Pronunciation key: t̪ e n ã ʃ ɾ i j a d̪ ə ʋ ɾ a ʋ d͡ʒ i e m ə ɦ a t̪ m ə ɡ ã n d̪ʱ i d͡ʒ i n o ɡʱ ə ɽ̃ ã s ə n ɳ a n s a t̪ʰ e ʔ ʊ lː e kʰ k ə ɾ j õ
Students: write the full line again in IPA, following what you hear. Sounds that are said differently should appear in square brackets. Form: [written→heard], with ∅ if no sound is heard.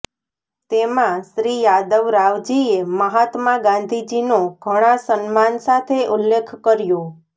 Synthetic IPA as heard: t̪ e [n→m] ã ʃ ɾ i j a d̪ ə ʋ ɾ a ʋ d͡ʒ i e m ə ɦ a t̪ m [ə→a] ɡ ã n d̪ʱ i d͡ʒ i n o ɡʱ ə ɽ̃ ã s ə n [ɳ→m] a n s a t̪ʰ e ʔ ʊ lː e kʰ k ə ɾ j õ